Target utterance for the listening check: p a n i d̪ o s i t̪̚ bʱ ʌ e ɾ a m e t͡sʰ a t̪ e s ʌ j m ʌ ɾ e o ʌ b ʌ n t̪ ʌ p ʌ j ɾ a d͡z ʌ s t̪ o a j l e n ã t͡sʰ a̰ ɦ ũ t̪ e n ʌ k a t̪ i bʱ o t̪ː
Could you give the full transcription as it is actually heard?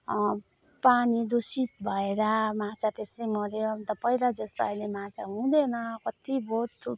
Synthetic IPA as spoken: p a n i d̪ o s i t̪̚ bʱ ʌ e ɾ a m a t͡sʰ a t̪ e s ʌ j m ʌ ɾ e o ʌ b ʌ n t̪ ʌ p ʌ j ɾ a d͡z ʌ s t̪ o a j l e m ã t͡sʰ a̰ ɦ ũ d̪ e n ʌ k ʌ t̪ i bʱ o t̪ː